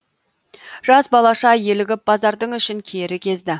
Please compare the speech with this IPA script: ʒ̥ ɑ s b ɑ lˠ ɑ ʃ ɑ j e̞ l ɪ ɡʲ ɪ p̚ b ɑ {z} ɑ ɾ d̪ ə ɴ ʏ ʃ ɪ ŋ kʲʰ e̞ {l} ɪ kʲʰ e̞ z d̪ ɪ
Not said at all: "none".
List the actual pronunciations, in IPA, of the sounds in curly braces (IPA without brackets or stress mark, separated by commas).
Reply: z, ɾ